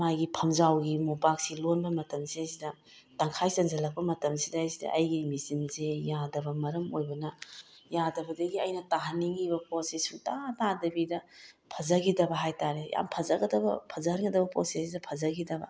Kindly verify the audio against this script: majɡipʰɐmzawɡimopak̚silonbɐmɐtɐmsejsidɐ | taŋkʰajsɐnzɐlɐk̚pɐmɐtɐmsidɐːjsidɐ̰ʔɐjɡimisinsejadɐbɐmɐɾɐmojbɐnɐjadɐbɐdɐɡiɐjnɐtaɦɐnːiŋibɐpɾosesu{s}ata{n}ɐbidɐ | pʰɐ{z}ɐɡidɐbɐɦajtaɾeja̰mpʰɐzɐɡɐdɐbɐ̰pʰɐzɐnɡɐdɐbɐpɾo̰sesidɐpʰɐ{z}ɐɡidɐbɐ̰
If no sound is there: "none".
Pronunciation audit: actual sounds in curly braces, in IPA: t, d, z, z

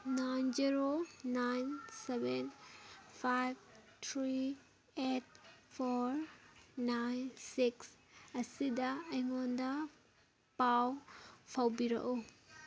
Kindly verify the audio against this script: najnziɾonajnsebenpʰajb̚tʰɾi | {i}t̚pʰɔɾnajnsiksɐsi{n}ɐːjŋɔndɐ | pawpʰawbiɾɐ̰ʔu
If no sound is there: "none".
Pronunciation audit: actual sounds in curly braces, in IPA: e, d

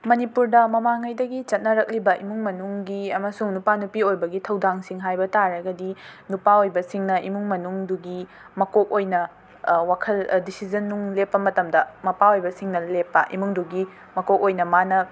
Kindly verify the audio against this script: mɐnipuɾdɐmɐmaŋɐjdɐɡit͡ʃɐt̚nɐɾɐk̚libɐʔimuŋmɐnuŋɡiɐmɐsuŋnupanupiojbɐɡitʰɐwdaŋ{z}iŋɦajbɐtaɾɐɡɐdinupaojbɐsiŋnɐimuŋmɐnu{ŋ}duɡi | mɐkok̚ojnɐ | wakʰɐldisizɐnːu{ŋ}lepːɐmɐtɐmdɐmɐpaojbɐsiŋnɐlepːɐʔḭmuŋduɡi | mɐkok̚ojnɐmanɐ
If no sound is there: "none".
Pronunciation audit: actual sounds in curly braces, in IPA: s, ŋ, ŋ

